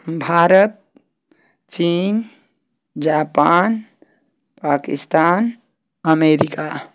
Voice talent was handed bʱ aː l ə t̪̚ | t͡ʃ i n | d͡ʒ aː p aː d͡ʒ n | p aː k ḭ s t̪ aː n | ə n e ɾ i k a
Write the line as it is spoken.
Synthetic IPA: bʱ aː ɾ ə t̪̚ | t͡ʃ i n | d͡ʒ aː p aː n | p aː k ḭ s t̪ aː n | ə m e ɾ i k a

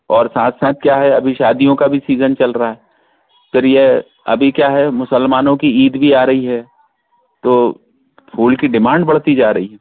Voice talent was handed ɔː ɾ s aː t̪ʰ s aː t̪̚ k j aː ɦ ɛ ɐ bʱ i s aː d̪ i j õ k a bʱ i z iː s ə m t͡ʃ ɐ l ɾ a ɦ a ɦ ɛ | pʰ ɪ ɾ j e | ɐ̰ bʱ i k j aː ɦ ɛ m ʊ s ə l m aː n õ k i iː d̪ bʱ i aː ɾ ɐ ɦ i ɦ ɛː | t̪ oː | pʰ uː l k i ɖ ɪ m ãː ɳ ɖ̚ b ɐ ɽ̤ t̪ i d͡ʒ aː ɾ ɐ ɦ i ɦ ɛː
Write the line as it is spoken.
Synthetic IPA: ɔː ɾ s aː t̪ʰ s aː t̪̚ k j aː ɦ ɛ ɐ bʱ i ʃ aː d̪ i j õ k a bʱ i s iː z ə n t͡ʃ ɐ l ɾ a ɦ a ɦ ɛ | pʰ ɪ ɾ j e | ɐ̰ bʱ i k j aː ɦ ɛ m ʊ s ə l m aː n õ k i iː d̪ bʱ i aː ɾ ɐ ɦ i ɦ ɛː | t̪ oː | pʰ uː l k i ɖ ɪ m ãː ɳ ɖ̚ b ɐ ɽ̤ t̪ i d͡ʒ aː ɾ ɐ ɦ i ɦ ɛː

